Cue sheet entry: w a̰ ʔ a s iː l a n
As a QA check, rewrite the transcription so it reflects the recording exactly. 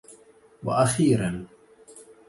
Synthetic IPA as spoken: w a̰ ʔ a x iː ɾ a n